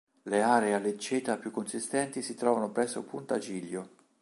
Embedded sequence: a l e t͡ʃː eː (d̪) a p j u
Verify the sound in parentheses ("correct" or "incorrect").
incorrect